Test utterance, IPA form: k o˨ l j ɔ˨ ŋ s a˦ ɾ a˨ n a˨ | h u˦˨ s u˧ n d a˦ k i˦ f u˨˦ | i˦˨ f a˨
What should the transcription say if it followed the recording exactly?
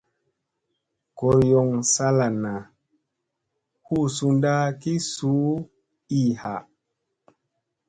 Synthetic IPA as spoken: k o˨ ɾ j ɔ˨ ŋ s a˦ l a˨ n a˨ | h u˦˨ s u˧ n d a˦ k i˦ s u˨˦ | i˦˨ h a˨